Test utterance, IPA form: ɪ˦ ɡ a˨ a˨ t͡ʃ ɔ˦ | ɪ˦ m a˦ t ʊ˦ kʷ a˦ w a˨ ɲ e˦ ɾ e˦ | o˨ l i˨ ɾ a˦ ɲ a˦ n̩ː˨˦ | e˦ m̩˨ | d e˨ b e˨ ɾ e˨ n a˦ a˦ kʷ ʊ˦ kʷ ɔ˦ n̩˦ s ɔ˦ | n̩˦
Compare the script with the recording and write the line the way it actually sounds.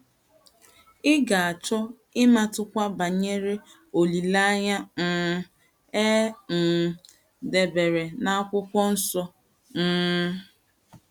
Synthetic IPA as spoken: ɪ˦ ɡ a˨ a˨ t͡ʃ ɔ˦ | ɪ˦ m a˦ t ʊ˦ kʷ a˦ b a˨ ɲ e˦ ɾ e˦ | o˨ l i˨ l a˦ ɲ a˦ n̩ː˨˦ | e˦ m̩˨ | d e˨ b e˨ ɾ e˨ n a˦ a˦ kʷ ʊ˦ kʷ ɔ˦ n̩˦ s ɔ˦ | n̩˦

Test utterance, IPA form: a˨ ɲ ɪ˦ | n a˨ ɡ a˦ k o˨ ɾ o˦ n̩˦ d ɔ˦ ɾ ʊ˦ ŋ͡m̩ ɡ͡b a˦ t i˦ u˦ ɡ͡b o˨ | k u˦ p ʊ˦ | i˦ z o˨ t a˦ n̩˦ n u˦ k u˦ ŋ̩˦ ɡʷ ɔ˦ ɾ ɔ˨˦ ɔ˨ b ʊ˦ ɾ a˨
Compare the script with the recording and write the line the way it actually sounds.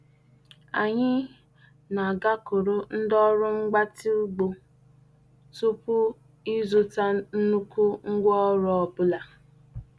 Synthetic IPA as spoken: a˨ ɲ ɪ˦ | n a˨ ɡ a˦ k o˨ ɾ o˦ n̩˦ d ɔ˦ ɾ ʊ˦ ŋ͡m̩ ɡ͡b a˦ t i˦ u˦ ɡ͡b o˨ | t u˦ p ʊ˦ | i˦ z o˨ t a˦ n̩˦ n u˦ k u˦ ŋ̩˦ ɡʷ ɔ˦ ɾ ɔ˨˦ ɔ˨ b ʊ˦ l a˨

